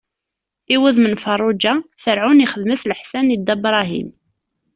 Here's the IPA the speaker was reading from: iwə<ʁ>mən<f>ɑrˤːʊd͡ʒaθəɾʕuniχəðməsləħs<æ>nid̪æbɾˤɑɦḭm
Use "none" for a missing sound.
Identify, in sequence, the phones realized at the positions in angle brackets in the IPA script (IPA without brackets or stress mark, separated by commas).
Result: ð, f, æ